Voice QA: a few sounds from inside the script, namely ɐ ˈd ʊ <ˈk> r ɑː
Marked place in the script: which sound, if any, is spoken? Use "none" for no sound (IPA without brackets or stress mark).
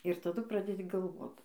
p